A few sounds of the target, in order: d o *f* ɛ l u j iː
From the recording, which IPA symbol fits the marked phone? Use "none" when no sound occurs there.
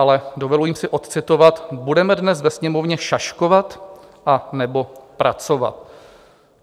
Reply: v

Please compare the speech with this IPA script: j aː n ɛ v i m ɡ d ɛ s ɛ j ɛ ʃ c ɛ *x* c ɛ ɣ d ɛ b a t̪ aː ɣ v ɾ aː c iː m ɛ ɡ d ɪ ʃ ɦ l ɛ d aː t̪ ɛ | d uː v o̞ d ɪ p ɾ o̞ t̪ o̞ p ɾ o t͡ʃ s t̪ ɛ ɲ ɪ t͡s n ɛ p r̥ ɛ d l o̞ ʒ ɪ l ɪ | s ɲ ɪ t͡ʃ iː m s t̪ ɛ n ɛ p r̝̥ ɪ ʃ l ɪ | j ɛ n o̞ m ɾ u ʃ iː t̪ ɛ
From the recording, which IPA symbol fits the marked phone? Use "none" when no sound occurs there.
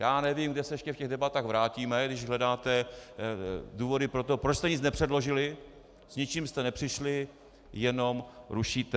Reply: f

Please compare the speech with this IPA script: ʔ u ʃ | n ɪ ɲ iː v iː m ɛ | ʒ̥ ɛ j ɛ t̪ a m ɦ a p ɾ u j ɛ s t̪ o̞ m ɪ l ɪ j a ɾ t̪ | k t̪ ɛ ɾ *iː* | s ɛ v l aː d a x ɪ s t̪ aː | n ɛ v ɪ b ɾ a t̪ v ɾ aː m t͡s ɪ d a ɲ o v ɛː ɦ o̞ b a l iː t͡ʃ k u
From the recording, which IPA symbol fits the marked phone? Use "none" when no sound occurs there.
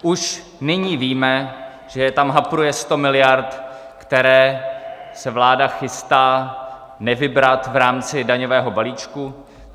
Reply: ɛː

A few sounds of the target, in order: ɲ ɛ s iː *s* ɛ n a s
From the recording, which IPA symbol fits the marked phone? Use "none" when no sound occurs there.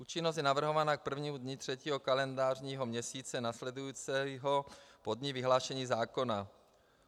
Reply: t͡s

